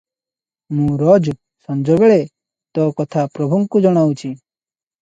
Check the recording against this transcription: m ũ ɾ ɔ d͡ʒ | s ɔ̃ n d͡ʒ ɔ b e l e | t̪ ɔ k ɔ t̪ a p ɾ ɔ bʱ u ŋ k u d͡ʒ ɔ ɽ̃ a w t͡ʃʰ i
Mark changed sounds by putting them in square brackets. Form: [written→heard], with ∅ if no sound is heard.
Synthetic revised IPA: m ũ ɾ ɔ d͡ʒ | s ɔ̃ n d͡ʒ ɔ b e [l→ɭ] e | t̪ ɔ k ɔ [t̪→t̪ʰ] a p ɾ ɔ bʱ u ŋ k u d͡ʒ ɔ ɽ̃ a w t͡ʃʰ i

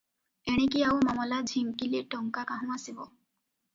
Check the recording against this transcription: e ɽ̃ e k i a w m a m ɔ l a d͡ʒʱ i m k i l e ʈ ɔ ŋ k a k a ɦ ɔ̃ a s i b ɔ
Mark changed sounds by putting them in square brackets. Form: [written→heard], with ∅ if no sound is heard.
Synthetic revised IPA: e ɽ̃ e k i a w m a m ɔ l a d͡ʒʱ i m k i l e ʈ ɔ ŋ k a k a ɦ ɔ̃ a s i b ɔ

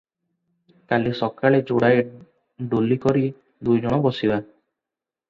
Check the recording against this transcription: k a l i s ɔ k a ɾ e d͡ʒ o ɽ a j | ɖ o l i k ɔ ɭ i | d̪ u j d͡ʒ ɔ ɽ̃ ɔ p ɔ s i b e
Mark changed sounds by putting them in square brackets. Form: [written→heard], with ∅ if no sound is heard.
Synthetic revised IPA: k a l i s ɔ k a [ɾ→ɭ] e d͡ʒ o ɽ a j | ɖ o l i k ɔ [ɭ→ɾ] i | d̪ u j d͡ʒ ɔ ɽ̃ ɔ [p→b] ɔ s i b [e→a]

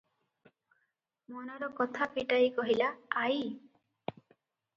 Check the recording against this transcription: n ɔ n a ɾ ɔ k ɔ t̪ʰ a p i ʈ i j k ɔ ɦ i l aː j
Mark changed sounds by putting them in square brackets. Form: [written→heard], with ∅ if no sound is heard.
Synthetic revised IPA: [n→m] ɔ n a ɾ ɔ k ɔ t̪ʰ a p i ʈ [i→a] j k ɔ ɦ i l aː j

